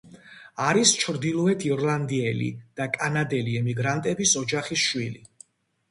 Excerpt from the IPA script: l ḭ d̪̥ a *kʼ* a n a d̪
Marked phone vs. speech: correct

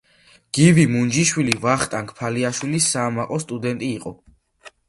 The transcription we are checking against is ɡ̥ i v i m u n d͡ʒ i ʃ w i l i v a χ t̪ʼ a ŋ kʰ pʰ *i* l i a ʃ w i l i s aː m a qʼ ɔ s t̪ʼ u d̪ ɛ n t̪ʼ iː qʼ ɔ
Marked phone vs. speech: incorrect: a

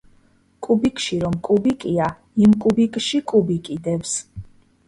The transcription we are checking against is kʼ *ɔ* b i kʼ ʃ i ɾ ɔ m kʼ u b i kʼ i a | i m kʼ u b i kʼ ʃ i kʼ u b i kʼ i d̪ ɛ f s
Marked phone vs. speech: incorrect: u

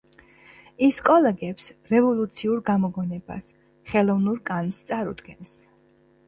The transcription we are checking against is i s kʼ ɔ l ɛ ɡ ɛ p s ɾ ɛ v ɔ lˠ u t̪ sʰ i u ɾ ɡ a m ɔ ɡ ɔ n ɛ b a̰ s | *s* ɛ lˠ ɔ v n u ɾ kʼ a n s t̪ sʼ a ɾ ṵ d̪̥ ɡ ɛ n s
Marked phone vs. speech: incorrect: χ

